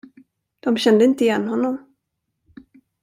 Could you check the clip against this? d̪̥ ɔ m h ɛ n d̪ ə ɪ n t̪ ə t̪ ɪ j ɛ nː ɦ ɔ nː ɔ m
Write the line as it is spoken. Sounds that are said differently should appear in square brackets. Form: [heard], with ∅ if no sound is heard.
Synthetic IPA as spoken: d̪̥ ɔ m [ɕ] ɛ n d̪ ə ɪ n t̪ ə [∅] ɪ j ɛ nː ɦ ɔ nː ɔ m

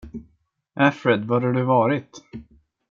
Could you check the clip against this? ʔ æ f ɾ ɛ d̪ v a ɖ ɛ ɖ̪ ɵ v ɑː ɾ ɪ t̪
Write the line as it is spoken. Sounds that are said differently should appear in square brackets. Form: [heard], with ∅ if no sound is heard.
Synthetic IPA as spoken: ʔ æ f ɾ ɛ d̪ v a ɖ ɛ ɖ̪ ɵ v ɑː ɾ ɪ t̪

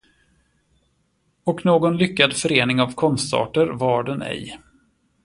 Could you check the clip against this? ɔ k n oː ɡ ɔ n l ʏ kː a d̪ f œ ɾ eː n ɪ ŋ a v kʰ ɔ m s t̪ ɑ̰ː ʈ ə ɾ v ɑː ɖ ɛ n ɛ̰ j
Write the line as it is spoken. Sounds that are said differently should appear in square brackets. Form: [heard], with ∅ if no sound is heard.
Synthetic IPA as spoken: ɔ k n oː ɡ ɔ n l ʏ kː a d̪ f œ ɾ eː n ɪ ŋ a v kʰ ɔ [n] s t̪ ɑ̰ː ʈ ə ɾ v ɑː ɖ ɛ n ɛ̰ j

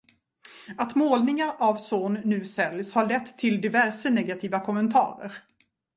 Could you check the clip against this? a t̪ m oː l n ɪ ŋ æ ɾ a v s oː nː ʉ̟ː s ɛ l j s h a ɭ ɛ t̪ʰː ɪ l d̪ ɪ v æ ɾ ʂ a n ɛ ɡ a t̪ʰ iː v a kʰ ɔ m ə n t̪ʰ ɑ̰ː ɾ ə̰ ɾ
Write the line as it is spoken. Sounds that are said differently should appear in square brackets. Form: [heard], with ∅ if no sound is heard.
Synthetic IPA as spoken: a t̪ m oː l n ɪ ŋ [a] ɾ a v s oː nː ʉ̟ː s ɛ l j s h a ɭ ɛ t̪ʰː ɪ l d̪ ɪ v æ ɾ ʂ [ə] n ɛ ɡ a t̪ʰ iː v a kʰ ɔ m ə n t̪ʰ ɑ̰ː ɾ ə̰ ɾ

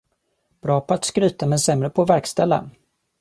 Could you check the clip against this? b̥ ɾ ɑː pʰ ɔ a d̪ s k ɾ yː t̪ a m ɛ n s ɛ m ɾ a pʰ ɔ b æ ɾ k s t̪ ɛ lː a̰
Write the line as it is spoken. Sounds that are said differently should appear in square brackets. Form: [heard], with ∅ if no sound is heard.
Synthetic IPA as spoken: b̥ ɾ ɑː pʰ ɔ a [t̪] s k ɾ yː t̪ a m ɛ n s ɛ m ɾ [ə] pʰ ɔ [v] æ ɾ k s t̪ ɛ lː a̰

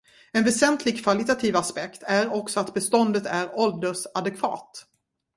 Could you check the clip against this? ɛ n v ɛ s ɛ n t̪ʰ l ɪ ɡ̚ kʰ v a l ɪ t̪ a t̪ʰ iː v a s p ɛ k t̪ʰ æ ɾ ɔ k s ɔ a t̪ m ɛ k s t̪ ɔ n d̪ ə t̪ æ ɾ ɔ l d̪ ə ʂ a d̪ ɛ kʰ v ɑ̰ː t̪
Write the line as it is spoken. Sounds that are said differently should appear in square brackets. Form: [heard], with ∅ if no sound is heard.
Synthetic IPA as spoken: ɛ n v ɛ s ɛ n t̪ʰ l ɪ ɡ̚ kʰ v a l ɪ t̪ a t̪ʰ iː v a s p ɛ k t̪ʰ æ ɾ ɔ k s ɔ a t̪ [b] ɛ [∅] s t̪ ɔ n d̪ ə t̪ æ ɾ ɔ l d̪ ə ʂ a d̪ ɛ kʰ v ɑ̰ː t̪

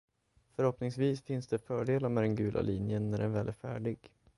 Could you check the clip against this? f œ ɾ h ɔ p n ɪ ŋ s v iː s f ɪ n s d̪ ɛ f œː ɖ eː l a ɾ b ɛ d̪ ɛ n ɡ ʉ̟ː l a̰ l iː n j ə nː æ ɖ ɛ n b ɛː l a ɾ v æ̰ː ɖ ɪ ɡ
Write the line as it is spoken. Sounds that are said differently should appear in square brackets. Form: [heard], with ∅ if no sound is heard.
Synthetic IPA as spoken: f œ ɾ h ɔ p n ɪ ŋ s v iː s f ɪ n s d̪ ɛ f œː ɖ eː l a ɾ [m] ɛ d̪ ɛ n ɡ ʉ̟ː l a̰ l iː n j ə nː æ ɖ ɛ n [v] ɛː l [æ] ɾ [f] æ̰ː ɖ ɪ ɡ

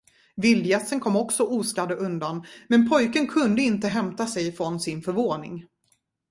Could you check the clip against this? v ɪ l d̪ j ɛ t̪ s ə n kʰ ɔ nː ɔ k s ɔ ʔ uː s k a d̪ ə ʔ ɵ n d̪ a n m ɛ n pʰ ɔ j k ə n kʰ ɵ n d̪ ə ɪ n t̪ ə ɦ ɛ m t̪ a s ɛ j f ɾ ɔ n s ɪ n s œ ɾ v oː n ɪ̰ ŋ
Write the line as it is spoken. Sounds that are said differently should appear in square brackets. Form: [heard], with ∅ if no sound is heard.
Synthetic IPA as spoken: v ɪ l d̪ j ɛ t̪ s ə n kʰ ɔ [mː] ɔ k s ɔ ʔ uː s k a d̪ ə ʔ ɵ n d̪ a n m ɛ n pʰ ɔ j k ə n kʰ ɵ n d̪ ə ɪ n t̪ ə ɦ ɛ m t̪ a s ɛ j f ɾ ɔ n s ɪ n [f] œ ɾ v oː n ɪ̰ ŋ

